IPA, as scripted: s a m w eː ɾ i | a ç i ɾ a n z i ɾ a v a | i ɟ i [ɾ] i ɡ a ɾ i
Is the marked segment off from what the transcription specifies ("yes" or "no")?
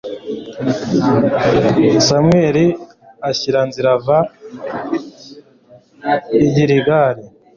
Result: no